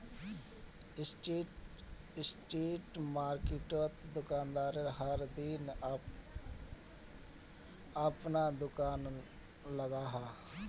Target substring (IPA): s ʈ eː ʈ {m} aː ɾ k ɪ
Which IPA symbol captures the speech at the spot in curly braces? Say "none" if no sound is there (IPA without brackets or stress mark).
m